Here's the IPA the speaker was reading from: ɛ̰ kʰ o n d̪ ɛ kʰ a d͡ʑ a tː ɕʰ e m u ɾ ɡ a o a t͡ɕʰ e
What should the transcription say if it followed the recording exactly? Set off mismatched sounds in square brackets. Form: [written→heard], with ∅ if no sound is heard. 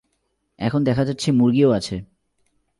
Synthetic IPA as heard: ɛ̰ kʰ o n d̪ ɛ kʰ a d͡ʑ a tː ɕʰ e m u ɾ ɡ [a→i] o a t͡ɕʰ e